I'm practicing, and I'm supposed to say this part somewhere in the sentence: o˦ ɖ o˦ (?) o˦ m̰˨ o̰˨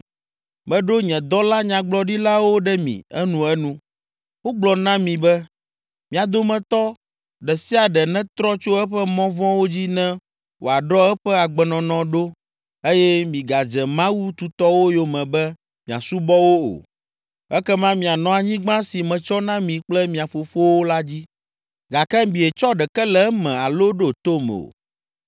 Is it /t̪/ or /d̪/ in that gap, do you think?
t̪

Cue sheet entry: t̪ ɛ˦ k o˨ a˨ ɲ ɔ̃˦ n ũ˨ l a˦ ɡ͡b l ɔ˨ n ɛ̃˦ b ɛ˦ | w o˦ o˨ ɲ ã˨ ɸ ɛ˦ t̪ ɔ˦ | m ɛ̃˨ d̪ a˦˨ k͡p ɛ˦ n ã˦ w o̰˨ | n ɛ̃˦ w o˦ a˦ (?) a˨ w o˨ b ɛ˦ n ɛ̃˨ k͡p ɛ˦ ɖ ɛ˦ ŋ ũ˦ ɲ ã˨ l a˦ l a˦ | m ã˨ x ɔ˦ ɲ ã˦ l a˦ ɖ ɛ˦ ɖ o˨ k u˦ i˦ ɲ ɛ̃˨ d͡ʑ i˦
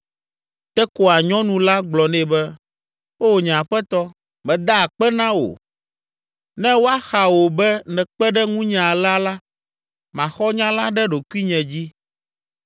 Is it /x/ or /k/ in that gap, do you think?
x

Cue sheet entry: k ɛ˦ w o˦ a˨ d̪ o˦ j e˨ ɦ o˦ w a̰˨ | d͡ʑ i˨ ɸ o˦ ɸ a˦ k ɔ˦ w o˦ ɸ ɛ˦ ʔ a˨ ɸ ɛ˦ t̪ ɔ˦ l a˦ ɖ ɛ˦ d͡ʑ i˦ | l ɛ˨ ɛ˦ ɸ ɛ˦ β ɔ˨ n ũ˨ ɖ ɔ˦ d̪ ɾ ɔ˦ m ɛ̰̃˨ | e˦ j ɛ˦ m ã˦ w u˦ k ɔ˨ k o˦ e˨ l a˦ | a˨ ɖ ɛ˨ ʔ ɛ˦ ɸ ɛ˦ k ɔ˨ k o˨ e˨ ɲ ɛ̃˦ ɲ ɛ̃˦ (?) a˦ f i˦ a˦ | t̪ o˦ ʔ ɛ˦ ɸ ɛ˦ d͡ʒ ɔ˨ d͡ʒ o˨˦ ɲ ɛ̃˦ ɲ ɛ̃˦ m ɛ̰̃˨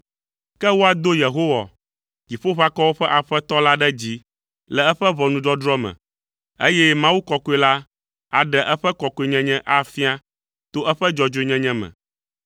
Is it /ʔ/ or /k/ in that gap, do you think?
ʔ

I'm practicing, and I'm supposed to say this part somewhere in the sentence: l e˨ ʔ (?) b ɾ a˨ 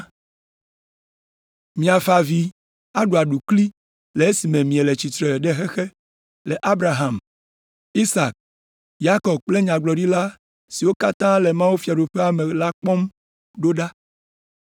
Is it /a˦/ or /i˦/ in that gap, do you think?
a˦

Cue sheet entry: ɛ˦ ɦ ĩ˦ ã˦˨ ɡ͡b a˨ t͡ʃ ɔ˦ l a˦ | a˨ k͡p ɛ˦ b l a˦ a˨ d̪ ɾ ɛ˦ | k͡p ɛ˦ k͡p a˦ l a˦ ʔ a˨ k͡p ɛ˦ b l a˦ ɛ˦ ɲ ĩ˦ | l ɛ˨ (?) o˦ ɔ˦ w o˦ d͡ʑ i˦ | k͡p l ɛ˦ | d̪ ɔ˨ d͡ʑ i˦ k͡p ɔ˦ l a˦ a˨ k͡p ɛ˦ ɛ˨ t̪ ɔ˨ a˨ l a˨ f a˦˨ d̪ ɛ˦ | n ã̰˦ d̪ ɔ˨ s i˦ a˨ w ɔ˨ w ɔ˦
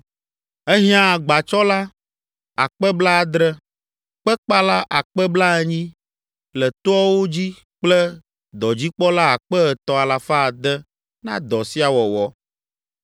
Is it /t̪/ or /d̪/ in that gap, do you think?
t̪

